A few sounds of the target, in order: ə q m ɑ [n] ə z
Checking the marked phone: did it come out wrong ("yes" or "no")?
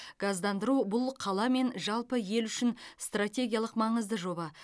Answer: yes